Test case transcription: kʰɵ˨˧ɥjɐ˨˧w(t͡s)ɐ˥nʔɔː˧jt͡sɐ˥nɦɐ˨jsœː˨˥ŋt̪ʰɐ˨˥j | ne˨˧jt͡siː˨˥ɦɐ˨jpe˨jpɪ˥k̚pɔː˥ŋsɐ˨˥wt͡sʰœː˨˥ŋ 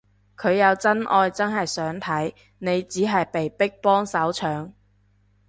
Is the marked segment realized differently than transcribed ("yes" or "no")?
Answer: no